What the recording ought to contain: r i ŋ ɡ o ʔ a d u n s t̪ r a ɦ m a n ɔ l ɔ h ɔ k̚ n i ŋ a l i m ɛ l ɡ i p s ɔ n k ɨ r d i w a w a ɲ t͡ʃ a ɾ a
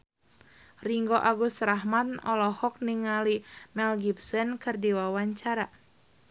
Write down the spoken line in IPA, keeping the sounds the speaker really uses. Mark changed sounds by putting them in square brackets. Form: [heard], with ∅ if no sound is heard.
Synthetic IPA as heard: r i ŋ ɡ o ʔ a [ɡ] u [∅] s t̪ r a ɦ m a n ɔ l ɔ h ɔ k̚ n i ŋ a l i m ɛ l ɡ i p s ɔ n k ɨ r d i w a w a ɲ t͡ʃ a ɾ a